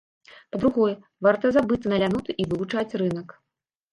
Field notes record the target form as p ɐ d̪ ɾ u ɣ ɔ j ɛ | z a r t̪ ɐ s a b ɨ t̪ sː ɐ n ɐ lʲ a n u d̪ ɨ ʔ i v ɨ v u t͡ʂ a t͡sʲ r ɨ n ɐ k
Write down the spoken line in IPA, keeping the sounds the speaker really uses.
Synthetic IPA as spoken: p ɐ d̪ ɾ u ɣ ɔ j ɛ | v a r t̪ ɐ z a b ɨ t̪ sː ɐ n ɐ lʲ a n u t̪ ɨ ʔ i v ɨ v u t͡ʂ a t͡sʲ r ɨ n ɐ k